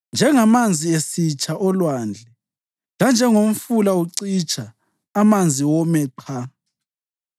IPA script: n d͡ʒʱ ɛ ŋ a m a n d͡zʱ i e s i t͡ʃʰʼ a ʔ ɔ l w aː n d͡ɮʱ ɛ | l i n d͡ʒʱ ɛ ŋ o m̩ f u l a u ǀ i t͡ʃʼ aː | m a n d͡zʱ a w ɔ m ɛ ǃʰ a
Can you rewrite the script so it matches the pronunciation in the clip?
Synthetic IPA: n d͡ʒʱ ɛ ŋ a m a n d͡zʱ i e s i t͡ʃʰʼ a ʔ ɔ l w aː n d͡ɮʱ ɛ | l a n d͡ʒʱ ɛ ŋ o m̩ f u l a u ǀ i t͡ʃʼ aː | m a n d͡zʱ i w ɔ m ɛ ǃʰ a